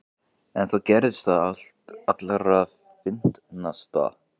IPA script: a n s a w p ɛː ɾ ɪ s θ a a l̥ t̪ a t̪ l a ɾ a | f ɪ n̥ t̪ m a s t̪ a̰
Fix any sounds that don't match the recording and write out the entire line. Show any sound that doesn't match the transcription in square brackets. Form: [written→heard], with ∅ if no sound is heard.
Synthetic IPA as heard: [a→ɛ] n [s→θ] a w [p→c] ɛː ɾ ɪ s θ a a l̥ t̪ a t̪ l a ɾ a | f ɪ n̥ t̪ [m→n] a s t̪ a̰